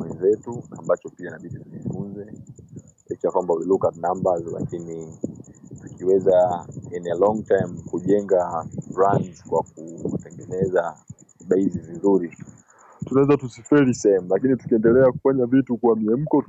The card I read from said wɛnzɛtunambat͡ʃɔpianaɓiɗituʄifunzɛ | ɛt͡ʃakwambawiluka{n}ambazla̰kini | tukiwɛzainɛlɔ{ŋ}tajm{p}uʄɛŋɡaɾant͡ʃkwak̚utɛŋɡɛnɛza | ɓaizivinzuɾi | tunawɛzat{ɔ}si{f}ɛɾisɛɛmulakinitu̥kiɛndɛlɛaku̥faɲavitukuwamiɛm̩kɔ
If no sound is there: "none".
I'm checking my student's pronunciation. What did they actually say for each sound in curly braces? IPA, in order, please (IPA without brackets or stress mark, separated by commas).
n, ŋ, k, u, f